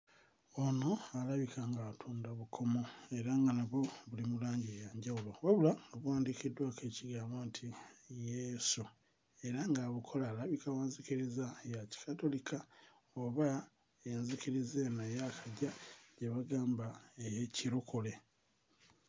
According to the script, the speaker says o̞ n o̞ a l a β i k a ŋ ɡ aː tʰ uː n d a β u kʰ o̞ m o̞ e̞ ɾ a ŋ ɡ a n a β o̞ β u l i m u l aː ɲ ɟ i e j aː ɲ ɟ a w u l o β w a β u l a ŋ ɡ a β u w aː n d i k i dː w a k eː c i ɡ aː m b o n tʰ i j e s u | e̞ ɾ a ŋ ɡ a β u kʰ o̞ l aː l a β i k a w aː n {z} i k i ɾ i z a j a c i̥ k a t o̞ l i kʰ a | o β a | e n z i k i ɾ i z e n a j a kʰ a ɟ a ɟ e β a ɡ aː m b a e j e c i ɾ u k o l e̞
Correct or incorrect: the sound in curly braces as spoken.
correct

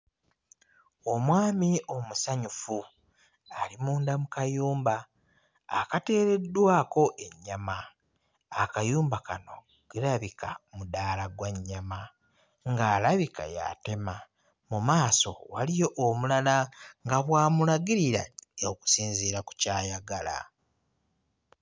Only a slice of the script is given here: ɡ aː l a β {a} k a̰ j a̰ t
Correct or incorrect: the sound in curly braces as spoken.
incorrect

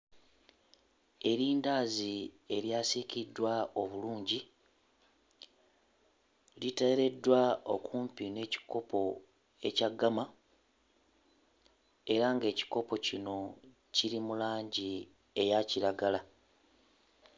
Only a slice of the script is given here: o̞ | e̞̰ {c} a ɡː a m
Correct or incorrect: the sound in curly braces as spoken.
correct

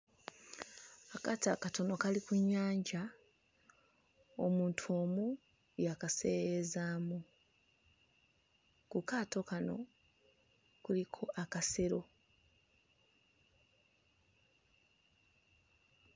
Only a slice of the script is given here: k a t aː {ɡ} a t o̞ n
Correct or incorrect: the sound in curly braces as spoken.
incorrect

